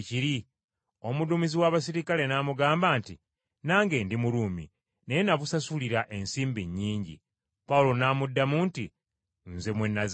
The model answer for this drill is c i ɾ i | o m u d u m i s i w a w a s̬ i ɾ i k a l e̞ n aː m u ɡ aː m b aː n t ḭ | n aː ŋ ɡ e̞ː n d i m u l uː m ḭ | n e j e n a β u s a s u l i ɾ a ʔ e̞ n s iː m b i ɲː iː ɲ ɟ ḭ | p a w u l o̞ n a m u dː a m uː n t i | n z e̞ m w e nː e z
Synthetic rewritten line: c i ɾ i | o m u d u m i z i w a β a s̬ i ɾ i k a l e̞ n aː m u ɡ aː m b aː n t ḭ | n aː ŋ ɡ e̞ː n d i m u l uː m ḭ | n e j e n a β u s a s u l i ɾ a ʔ e̞ n s iː m b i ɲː iː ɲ ɟ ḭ | p a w u l o̞ n a m u dː a m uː n t i | n z e̞ m w e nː a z